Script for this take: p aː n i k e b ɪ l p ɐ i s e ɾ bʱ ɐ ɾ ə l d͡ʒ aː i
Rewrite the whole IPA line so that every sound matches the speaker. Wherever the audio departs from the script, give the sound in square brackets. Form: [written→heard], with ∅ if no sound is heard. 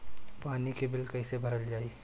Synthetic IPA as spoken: p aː n i k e b ɪ l [p→k] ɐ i s e [ɾ→∅] bʱ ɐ ɾ ə l d͡ʒ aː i